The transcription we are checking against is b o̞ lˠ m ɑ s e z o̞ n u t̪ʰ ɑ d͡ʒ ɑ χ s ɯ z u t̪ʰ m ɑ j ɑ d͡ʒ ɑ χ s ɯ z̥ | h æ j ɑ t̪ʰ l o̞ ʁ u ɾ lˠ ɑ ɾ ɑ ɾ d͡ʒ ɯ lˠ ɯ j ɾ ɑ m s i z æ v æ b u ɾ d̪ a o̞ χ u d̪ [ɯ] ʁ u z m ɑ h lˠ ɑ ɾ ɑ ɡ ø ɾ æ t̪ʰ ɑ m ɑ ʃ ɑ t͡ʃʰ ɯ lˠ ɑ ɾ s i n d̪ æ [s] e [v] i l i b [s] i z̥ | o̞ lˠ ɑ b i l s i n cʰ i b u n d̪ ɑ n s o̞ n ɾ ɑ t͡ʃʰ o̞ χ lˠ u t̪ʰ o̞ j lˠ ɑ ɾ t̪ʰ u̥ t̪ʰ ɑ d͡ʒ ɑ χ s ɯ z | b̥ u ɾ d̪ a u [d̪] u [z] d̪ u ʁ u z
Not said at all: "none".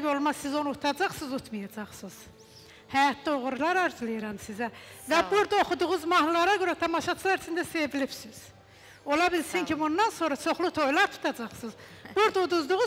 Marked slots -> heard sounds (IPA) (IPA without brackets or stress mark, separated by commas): u, s, v, s, d̪, z